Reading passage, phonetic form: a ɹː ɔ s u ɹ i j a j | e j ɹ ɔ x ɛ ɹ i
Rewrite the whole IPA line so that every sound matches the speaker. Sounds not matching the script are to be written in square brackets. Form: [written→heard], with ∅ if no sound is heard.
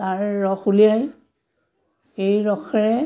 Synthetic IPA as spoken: a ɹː ɔ [s→x] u [ɹ→l] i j a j | e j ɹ ɔ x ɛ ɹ [i→ɛ]